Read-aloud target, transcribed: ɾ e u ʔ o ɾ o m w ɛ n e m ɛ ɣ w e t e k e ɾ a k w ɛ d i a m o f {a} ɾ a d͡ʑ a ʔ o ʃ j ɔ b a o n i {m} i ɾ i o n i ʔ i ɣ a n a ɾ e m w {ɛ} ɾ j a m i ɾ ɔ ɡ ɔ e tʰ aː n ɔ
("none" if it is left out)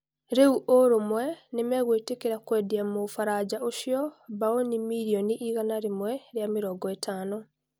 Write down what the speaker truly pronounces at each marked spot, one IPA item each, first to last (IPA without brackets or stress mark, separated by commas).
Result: a, m, ɛ